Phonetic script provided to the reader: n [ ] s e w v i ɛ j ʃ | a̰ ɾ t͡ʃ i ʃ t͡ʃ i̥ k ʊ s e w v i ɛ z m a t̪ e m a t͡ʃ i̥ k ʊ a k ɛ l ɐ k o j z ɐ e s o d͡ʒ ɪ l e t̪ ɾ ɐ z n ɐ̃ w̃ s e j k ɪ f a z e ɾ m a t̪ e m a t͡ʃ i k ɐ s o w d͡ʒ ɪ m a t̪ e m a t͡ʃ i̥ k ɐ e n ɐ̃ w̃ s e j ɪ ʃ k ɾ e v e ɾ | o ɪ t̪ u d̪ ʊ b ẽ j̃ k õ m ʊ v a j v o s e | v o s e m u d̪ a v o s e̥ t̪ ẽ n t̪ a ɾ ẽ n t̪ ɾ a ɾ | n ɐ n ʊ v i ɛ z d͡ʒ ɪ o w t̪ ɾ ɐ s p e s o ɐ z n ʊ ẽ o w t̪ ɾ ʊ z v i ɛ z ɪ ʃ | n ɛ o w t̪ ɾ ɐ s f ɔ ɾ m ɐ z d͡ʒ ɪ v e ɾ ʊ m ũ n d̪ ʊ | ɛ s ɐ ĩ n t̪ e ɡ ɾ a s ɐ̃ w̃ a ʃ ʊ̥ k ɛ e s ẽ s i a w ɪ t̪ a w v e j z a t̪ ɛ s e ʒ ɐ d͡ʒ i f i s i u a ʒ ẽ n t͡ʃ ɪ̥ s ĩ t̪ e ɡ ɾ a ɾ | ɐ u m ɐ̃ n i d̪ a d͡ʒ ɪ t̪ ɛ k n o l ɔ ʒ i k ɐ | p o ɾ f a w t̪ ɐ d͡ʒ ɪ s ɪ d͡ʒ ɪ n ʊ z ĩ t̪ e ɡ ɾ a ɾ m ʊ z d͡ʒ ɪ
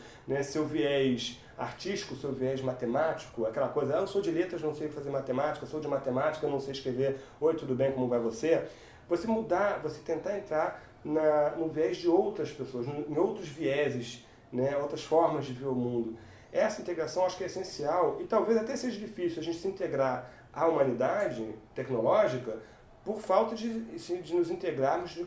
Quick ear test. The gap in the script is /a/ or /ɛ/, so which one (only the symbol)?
ɛ